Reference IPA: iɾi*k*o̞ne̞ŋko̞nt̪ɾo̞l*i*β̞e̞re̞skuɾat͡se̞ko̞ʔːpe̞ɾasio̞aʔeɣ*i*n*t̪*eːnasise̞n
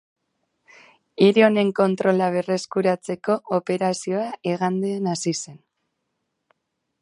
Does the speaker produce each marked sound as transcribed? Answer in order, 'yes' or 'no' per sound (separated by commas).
no, no, no, no